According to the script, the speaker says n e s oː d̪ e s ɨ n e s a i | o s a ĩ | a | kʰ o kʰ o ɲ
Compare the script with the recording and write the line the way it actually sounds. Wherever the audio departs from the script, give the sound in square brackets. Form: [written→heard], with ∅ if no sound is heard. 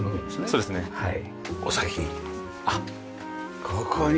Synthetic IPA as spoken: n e s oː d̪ e s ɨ n e [s→h] a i | o s a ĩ | a | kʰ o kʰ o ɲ

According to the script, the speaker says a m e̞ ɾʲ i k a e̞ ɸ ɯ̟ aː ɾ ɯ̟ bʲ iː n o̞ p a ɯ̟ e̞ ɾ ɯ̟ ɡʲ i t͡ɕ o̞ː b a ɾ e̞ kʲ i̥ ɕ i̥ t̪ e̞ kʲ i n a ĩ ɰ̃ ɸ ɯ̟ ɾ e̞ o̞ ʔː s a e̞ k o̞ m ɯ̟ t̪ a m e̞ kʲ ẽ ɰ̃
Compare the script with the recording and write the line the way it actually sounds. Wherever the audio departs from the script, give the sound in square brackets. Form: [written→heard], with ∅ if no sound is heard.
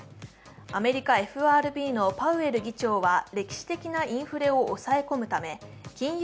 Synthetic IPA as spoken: a m e̞ ɾʲ i k a e̞ ɸ ɯ̟ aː ɾ ɯ̟ bʲ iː n o̞ p a ɯ̟ e̞ ɾ ɯ̟ ɡʲ i t͡ɕ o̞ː [b→β] a ɾ e̞ kʲ i̥ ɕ i̥ t̪ e̞ kʲ i n a ĩ ɰ̃ ɸ ɯ̟ ɾ e̞ o̞ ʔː s a e̞ k o̞ m ɯ̟ t̪ a m e̞ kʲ [ẽ→ĩ] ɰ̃

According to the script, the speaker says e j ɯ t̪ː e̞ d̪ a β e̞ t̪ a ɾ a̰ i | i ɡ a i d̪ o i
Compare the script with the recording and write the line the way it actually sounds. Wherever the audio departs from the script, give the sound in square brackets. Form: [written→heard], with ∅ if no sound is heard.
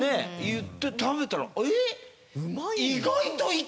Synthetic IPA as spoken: e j ɯ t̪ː e̞ [d̪→t̪] a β e̞ t̪ a ɾ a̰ [i→e] | i ɡ a i [d̪→t̪] o i

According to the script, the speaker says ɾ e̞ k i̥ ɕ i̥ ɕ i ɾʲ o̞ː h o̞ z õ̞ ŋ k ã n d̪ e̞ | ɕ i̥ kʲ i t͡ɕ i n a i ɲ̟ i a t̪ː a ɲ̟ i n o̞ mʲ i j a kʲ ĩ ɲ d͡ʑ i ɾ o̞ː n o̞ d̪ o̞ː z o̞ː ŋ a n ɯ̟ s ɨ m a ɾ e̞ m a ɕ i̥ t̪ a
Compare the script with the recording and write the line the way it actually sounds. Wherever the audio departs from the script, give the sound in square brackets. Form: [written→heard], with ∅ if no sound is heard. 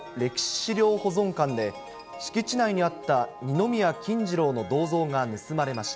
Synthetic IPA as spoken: ɾ e̞ k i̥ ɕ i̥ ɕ i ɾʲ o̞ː h o̞ z õ̞ ŋ k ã n d̪ e̞ | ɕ i̥ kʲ i t͡ɕ i n a i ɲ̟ i a t̪ː a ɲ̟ i n o̞ mʲ i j a kʲ ĩ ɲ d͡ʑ i ɾ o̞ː n o̞ d̪ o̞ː z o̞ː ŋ a n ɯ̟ s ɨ m a ɾ e̞ m a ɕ i̥ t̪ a

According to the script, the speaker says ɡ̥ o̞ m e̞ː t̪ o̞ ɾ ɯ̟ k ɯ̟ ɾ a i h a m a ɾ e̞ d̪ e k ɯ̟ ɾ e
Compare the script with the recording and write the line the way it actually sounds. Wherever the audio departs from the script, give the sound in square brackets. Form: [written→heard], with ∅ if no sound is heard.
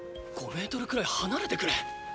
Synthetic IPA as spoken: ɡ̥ o̞ m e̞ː t̪ o̞ ɾ ɯ̟ k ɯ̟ ɾ a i h a [m→n] a ɾ e̞ [d̪→t̪] e k ɯ̟ ɾ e

